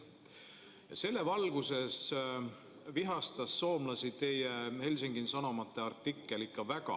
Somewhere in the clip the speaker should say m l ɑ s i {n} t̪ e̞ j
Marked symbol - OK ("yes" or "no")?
no